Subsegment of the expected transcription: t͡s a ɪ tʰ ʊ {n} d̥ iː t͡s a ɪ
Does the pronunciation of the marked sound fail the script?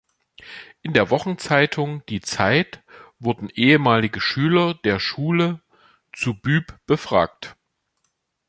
yes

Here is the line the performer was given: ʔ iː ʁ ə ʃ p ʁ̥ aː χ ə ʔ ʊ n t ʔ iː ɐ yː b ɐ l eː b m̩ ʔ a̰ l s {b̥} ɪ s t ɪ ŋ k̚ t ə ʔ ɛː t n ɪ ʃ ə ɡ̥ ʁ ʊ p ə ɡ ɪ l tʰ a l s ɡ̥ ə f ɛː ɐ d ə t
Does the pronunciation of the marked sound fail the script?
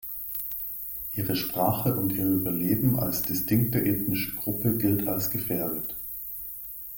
yes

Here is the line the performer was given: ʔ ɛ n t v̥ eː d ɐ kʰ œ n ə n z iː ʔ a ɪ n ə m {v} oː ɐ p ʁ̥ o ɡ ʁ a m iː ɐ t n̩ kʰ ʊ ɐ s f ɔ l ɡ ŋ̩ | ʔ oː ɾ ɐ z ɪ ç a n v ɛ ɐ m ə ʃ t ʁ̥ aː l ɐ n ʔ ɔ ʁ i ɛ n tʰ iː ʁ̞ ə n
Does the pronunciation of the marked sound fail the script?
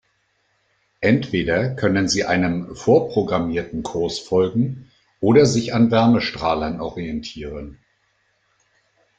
yes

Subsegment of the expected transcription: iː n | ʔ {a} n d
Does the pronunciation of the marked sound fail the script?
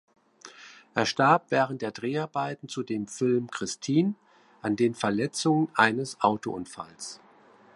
no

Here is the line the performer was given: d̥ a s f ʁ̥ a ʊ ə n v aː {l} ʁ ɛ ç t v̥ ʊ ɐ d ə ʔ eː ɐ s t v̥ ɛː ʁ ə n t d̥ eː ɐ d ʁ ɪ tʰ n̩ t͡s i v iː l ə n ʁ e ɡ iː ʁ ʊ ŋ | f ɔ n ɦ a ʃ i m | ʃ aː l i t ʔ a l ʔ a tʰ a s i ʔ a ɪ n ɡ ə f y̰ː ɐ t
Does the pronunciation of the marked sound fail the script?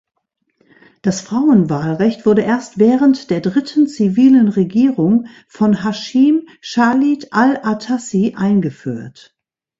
no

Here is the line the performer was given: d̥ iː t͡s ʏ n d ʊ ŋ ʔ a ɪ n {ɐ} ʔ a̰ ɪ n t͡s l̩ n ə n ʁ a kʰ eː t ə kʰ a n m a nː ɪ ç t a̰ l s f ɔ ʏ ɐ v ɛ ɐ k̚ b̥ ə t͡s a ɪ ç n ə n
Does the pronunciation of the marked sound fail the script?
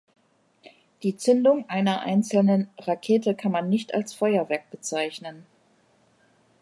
no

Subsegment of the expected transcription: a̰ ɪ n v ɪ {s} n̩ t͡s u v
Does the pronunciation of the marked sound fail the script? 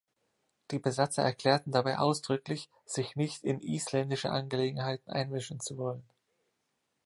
yes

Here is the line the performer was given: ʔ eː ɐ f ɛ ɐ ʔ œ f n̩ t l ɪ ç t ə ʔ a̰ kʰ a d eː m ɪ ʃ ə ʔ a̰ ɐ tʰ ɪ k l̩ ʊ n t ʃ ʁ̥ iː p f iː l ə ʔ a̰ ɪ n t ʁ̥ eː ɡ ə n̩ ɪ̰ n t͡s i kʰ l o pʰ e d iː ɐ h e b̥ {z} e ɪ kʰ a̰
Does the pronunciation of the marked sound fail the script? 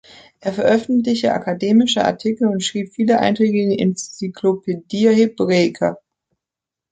yes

